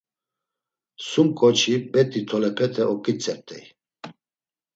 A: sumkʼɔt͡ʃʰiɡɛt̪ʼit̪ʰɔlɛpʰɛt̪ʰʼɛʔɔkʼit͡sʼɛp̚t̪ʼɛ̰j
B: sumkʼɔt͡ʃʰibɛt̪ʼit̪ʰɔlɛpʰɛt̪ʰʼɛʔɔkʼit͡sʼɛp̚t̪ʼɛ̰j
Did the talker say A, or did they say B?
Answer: B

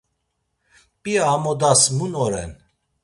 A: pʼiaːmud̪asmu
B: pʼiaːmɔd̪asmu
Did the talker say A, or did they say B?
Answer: B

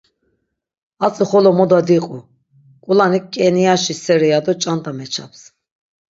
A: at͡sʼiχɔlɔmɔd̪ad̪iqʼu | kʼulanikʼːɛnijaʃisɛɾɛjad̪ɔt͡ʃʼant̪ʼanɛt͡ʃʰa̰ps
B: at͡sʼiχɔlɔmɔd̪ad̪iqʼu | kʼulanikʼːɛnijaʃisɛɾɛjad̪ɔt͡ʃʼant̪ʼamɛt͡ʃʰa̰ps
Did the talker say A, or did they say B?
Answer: B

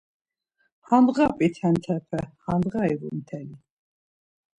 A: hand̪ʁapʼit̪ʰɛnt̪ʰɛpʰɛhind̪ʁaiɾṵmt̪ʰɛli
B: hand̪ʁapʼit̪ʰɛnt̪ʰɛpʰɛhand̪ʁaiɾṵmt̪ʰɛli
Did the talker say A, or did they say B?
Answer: B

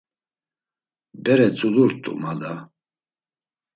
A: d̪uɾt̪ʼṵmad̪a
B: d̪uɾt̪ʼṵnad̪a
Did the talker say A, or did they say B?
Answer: A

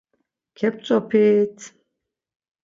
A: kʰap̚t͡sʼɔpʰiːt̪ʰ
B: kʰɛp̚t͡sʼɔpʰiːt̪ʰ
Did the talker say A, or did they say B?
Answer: B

